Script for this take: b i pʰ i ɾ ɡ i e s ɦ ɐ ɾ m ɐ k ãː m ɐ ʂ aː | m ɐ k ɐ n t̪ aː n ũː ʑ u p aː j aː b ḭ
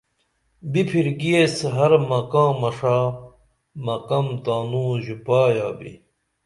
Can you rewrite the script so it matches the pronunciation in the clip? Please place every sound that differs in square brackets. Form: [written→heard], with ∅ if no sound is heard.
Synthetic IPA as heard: b i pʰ i ɾ ɡ i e s ɦ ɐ ɾ m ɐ k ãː m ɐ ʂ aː | m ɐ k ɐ [n→m] t̪ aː n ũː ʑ u p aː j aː b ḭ